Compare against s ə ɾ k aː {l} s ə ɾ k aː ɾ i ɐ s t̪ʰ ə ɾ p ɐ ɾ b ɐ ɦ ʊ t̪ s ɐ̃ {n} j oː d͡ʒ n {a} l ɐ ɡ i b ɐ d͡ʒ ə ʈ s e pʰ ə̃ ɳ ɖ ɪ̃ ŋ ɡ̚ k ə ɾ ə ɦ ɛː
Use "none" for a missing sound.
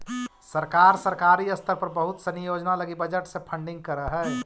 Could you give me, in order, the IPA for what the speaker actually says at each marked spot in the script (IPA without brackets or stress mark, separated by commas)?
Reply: ɾ, n, a